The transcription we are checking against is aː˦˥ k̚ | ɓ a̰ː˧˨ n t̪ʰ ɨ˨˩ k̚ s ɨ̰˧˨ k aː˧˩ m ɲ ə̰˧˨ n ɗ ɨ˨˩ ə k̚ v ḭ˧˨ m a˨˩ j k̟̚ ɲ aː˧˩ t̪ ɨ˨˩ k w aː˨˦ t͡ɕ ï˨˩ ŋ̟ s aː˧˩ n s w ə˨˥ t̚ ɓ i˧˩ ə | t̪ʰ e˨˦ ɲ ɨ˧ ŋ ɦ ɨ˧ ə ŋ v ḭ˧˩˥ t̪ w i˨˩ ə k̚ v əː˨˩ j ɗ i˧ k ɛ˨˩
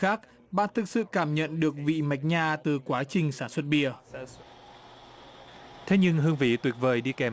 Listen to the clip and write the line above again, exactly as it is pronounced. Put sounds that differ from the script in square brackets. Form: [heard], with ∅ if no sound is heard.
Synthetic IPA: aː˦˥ k̚ | ɓ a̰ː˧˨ n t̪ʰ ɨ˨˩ k̚ s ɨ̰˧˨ k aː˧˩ m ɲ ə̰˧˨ n ɗ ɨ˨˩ ə k̚ v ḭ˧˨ m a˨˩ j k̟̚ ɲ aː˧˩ t̪ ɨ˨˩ k w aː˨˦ t͡ɕ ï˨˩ ŋ̟ s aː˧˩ n s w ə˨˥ t̚ ɓ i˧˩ ə | t̪ʰ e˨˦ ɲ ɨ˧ ŋ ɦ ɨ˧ ə ŋ v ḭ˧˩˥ t̪ w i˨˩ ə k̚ v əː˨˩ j ɗ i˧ k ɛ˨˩